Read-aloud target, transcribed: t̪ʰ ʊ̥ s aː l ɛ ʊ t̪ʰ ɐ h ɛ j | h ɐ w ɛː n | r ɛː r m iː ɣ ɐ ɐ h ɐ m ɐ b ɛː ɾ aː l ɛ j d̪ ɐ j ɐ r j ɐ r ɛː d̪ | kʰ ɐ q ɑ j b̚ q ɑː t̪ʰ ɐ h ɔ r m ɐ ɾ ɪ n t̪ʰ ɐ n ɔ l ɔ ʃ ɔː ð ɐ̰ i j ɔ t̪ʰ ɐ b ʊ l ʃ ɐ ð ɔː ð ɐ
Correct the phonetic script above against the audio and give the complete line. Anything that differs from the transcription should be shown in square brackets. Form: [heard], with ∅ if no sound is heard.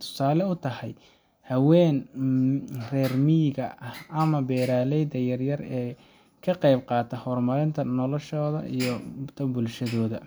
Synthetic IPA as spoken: t̪ʰ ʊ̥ s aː l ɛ ʊ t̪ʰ ɐ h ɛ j | h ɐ w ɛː n | r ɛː r m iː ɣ ɐ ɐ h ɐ m ɐ b ɛː ɾ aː l ɛ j d̪ ɐ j ɐ r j ɐ r ɛː [∅] | kʰ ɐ q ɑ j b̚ q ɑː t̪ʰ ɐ h ɔ r m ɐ ɾ ɪ n t̪ʰ ɐ n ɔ l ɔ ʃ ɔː ð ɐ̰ i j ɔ t̪ʰ ɐ b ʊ l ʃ ɐ ð ɔː ð ɐ